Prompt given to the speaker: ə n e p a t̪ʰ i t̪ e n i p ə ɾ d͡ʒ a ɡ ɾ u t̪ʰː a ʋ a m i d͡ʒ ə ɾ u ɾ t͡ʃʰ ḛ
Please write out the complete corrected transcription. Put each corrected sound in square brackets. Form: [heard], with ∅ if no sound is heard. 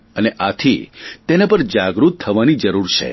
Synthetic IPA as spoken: ə n e [ʔ] a t̪ʰ i t̪ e n [a] p ə ɾ d͡ʒ a ɡ ɾ u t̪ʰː [ə] ʋ a [n] i d͡ʒ ə ɾ u ɾ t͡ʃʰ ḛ